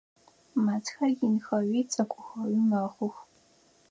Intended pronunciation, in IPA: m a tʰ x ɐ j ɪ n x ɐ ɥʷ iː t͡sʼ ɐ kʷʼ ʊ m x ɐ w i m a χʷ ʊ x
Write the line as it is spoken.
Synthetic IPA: m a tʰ x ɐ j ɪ n x ɐ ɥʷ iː t͡sʼ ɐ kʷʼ ʊ x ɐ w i m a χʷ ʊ x